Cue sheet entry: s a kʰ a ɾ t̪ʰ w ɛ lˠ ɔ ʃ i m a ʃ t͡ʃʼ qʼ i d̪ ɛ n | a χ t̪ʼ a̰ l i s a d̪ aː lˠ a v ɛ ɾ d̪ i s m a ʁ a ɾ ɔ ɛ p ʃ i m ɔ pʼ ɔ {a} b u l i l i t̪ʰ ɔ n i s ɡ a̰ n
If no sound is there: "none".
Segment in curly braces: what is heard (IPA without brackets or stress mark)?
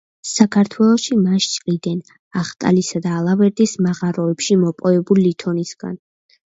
ɛ